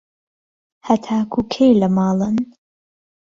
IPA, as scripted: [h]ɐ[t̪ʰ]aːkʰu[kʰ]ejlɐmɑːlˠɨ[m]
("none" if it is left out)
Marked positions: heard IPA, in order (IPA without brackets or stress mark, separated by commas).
h, t̪ʰ, kʰ, n